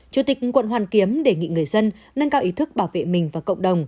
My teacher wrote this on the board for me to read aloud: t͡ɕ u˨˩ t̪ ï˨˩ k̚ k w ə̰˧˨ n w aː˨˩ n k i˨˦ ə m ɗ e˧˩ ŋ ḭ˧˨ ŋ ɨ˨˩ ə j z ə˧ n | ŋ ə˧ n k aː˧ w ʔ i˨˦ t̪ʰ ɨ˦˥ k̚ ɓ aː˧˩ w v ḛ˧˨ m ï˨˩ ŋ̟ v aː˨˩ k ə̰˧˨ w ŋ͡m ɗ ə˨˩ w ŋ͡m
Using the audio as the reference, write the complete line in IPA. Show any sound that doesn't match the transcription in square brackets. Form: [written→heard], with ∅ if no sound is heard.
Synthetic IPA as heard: t͡ɕ u˨˩ t̪ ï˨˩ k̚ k w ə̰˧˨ n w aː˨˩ n k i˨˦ ə m ɗ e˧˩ ŋ ḭ˧˨ ŋ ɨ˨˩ ə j z ə˧ n | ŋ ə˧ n k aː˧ w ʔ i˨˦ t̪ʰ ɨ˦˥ k̚ ɓ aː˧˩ w v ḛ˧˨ m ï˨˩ ŋ̟ v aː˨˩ k ə̰˧˨ w ŋ͡m ɗ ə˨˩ w ŋ͡m